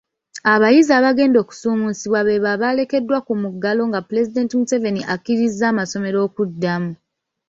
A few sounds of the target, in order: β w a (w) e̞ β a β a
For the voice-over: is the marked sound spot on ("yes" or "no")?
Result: no